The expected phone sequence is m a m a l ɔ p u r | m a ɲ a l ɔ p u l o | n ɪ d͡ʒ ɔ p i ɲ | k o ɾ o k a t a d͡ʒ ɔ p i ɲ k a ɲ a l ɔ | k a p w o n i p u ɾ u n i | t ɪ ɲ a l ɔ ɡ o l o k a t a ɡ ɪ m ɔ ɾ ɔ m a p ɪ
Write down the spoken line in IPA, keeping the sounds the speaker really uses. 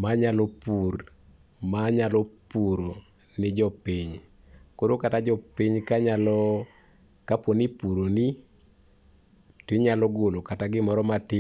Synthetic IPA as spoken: m a ɲ a l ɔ p u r | m a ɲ a l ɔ p u ɾ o | n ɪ d͡ʒ ɔ p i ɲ | k o ɾ o k a t a d͡ʒ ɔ p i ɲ k a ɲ a l ɔ | k a p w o n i p u ɾ o n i | t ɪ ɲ a l ɔ ɡ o l o k a t a ɡ ɪ m ɔ ɾ ɔ m a t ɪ

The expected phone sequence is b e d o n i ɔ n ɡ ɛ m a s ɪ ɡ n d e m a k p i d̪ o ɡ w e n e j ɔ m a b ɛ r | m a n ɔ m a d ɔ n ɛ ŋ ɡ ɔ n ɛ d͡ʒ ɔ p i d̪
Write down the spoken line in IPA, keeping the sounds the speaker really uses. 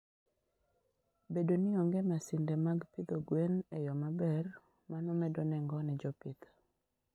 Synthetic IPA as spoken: b e d o n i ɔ ŋ ɡ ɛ m a s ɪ n d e m a ɡ p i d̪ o ɡ w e n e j ɔ m a b ɛ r | m a n ɔ m ɛ d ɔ n ɛ ŋ ɡ ɔ n ɛ d͡ʒ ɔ p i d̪

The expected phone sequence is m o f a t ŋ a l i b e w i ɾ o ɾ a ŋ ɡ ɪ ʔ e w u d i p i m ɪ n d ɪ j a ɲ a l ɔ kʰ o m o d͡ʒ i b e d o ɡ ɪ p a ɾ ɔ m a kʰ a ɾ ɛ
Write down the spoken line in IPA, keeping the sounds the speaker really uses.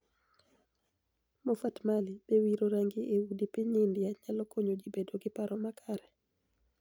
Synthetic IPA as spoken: m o f a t m a l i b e w i ɾ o ɾ a ŋ ɡ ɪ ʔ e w u d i p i ɲ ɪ n d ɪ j a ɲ a l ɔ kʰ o ɲ o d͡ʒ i b e d o ɡ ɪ p a ɾ ɔ m a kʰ a ɾ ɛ

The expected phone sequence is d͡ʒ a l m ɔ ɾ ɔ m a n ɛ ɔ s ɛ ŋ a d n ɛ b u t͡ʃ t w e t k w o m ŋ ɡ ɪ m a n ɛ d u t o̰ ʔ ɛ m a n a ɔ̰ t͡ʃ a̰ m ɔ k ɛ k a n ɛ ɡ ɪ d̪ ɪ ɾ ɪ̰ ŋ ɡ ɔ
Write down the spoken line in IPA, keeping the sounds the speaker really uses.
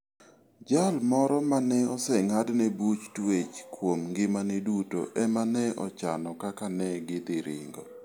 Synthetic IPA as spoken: d͡ʒ a l m ɔ ɾ ɔ m a n ɛ ɔ s ɛ ŋ a d n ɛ b u t͡ʃ t w e t͡ʃ k w o m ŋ ɡ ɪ m a n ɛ d u t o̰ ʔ ɛ m a n ɛ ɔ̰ t͡ʃ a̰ n ɔ k a k a n ɛ ɡ ɪ d̪ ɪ ɾ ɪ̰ ŋ ɡ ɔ

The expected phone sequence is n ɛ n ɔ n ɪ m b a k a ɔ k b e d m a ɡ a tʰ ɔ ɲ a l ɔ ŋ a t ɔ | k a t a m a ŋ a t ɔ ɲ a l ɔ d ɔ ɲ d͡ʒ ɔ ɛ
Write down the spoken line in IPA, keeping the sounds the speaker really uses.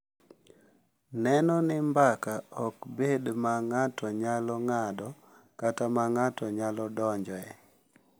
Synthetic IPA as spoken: n ɛ n ɔ n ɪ m b a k a ɔ k b e d m a ŋ a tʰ ɔ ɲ a l ɔ ŋ a d ɔ | k a t a m a ŋ a t ɔ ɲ a l ɔ d ɔ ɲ d͡ʒ ɔ ɛ

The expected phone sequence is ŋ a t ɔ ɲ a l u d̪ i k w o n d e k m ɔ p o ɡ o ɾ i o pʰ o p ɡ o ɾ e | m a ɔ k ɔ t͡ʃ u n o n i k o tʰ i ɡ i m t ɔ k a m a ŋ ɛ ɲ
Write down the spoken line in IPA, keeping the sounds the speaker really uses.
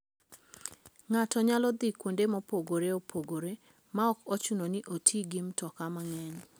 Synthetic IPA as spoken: ŋ a t ɔ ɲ a l ɔ d̪ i k w o n d e m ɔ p o ɡ o ɾ e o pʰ o ɡ o ɾ e | m a ɔ k ɔ t͡ʃ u n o n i ʔ o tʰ i ɡ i m t ɔ k a m a ŋ ɛ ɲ

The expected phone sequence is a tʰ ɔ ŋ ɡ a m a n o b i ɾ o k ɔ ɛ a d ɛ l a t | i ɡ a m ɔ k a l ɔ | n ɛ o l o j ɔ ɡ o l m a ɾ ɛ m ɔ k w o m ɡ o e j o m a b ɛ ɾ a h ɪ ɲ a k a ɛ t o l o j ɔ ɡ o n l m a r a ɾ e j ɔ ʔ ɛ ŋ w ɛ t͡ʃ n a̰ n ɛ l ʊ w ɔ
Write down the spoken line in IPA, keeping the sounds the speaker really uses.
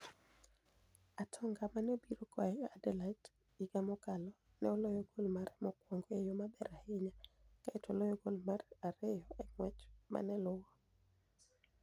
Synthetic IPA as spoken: a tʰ ɔ ŋ ɡ a m a n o b i ɾ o k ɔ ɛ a d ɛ l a t | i ɡ a m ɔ k a l ɔ | n ɛ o l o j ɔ ɡ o l m a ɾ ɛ m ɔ k w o ŋ ɡ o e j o m a b ɛ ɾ a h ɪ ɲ a k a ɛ t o l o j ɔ ɡ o l m a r a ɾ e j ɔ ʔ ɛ ŋ w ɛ t͡ʃ m a̰ n ɛ l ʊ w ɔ

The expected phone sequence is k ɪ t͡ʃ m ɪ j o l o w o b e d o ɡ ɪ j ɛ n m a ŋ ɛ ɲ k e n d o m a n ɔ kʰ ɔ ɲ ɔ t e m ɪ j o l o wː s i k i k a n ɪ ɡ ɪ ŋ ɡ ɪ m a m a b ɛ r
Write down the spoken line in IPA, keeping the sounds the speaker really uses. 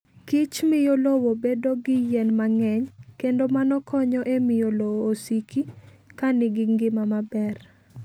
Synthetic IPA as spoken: k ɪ t͡ʃ m ɪ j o l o w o b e d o ɡ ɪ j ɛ n m a ŋ ɛ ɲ k e n d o m a n ɔ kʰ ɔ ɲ ɔ ʔ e m ɪ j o l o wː s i k i k a n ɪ ɡ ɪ ŋ ɡ ɪ m a m a b ɛ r

